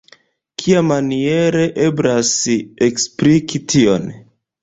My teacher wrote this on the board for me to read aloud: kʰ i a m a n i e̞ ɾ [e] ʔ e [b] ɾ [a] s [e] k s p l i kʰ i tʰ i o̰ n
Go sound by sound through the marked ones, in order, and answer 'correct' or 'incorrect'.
correct, correct, correct, correct

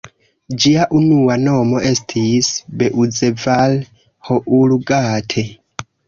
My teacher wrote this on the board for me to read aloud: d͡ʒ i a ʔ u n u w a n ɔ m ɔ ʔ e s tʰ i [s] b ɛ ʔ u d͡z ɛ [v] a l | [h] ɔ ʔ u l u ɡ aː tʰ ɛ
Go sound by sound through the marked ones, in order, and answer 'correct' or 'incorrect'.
correct, correct, correct

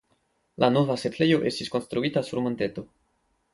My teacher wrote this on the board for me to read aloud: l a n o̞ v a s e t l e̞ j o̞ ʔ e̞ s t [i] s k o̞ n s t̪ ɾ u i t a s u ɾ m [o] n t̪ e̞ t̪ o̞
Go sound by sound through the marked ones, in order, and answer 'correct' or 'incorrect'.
correct, correct

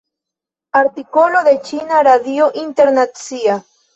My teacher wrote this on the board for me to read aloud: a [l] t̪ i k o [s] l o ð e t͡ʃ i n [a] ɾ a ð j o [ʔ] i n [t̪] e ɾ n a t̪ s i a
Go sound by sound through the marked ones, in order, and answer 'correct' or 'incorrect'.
incorrect: ɾ, incorrect: none, correct, correct, correct

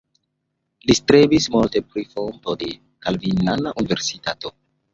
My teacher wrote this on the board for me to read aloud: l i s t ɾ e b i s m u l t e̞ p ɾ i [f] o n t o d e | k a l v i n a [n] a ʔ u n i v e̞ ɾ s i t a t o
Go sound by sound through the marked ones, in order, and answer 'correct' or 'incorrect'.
correct, correct

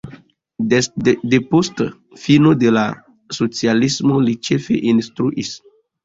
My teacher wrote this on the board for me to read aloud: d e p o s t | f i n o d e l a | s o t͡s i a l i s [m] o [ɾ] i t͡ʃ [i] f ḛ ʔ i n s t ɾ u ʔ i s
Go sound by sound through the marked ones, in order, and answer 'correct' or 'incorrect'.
correct, incorrect: l, incorrect: e

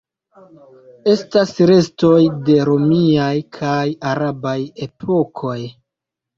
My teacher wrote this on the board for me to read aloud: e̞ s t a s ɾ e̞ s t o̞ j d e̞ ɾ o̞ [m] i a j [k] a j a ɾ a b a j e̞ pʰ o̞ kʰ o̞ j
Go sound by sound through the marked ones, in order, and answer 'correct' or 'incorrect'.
correct, incorrect: kʰ

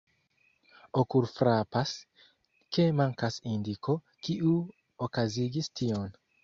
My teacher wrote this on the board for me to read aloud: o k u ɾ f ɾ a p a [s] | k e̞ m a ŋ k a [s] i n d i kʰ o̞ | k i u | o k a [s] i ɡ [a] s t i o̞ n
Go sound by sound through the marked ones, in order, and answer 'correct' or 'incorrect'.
correct, correct, incorrect: z, incorrect: i

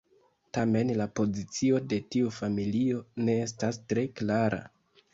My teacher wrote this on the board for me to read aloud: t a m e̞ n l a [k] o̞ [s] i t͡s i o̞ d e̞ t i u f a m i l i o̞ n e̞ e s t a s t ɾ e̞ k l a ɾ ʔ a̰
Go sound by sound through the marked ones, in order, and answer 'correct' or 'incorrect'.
incorrect: p, incorrect: z

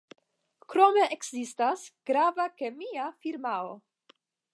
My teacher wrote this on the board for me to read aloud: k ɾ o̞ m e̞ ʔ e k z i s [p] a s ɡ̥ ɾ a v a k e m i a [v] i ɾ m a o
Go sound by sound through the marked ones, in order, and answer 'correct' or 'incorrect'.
incorrect: t, incorrect: f

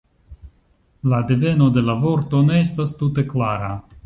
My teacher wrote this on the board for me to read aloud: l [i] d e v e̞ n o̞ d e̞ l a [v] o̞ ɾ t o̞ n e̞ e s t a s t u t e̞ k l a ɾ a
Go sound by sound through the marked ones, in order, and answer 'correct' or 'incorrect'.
incorrect: a, correct

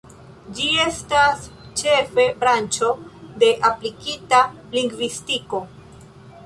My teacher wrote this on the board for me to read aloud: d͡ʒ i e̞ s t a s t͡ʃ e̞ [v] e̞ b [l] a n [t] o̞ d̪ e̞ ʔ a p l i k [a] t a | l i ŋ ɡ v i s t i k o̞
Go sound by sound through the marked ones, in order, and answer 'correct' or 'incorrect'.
incorrect: f, incorrect: ɾ, incorrect: t͡ʃ, incorrect: i

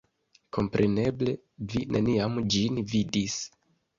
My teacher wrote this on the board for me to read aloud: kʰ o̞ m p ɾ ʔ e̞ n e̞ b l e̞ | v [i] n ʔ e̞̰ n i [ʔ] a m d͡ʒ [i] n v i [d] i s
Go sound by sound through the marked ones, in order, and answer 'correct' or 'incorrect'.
correct, incorrect: none, correct, correct

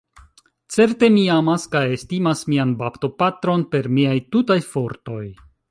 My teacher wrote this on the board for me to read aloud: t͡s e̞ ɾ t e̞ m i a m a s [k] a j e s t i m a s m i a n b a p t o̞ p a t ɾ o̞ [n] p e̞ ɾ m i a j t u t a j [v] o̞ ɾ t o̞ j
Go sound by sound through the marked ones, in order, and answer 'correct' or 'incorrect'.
correct, correct, incorrect: f

